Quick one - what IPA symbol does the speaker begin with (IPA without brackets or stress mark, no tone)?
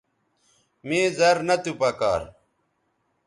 m